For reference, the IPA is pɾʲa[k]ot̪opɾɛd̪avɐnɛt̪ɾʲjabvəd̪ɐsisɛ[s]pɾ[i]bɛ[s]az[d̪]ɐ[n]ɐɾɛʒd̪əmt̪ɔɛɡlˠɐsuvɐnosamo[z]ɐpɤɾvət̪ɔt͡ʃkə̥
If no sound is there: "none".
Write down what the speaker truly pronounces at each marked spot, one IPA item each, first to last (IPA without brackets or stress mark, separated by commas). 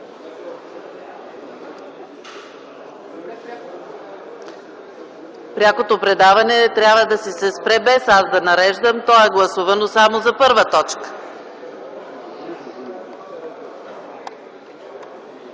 k, s, ɛ, s, d̪, n, z